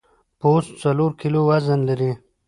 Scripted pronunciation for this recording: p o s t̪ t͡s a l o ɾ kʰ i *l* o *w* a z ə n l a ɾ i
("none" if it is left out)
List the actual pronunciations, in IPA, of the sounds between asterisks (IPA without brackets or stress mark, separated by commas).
l, w